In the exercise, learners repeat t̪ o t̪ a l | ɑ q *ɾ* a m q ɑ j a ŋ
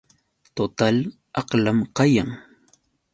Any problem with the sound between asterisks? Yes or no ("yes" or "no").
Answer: yes